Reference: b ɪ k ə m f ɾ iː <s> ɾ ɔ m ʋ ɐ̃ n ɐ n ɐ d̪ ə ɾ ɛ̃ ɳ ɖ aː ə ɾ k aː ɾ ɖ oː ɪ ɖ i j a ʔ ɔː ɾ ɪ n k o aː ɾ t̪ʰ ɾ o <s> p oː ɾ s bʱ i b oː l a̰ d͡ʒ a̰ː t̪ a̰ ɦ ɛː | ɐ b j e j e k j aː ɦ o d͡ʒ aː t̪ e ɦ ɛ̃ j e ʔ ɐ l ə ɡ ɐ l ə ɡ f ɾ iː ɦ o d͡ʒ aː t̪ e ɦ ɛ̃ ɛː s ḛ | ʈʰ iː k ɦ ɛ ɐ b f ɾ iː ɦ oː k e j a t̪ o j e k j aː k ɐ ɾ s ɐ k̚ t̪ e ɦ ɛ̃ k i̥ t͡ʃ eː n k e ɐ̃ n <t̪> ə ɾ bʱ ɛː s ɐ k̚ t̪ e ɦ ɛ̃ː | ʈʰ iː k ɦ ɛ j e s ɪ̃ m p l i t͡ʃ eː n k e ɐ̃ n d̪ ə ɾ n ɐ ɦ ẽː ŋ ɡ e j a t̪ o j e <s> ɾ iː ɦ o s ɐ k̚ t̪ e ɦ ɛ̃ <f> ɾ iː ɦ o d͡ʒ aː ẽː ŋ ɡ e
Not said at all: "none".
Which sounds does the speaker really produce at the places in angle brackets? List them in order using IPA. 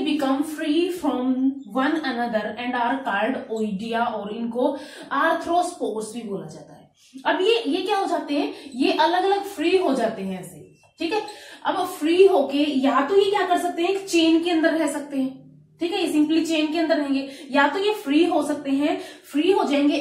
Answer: f, s, d̪, f, f

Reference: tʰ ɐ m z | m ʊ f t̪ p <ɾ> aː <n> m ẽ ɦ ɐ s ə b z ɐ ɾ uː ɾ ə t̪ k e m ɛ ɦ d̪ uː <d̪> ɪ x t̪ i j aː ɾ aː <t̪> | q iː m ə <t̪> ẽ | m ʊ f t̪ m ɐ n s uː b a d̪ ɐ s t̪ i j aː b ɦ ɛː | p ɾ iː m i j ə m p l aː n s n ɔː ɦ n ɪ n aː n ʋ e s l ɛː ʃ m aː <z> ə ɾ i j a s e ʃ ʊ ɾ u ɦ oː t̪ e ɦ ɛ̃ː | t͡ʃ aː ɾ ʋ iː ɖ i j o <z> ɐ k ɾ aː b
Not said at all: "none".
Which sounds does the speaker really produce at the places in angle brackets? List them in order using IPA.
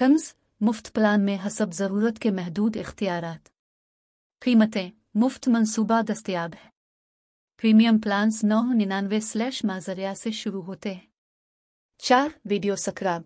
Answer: l, n, d̪, t̪, t̪, z, s

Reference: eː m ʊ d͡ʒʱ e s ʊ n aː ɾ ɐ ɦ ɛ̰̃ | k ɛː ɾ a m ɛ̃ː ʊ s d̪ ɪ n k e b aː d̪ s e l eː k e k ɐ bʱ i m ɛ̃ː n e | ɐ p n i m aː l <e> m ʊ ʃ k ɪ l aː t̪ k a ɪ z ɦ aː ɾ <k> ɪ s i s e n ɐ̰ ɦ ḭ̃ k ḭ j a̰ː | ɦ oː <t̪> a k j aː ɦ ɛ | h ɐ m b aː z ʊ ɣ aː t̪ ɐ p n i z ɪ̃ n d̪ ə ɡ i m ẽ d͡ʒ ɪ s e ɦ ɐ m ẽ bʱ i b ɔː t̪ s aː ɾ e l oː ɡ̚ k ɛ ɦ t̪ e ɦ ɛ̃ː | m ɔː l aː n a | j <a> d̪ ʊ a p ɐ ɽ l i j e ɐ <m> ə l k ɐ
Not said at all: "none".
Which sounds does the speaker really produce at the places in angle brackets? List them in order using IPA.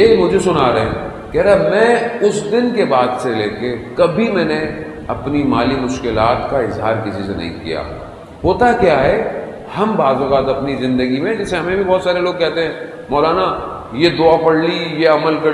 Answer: i, k, t̪, e, m

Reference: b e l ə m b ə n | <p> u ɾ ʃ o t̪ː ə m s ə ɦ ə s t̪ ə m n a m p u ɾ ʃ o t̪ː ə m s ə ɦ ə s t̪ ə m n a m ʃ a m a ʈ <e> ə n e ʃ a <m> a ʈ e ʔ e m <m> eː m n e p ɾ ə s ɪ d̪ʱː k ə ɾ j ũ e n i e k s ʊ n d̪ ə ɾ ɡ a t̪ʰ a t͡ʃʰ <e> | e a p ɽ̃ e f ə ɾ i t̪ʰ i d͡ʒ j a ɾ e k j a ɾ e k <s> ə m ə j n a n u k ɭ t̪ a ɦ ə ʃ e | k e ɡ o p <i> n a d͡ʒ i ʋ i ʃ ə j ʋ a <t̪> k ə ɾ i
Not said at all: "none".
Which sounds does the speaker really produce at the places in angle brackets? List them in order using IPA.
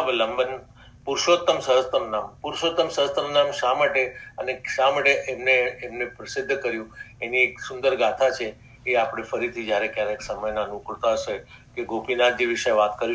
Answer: p, e, m, n, e, s, i, t̪

